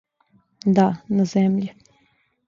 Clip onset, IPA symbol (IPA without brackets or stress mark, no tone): d̪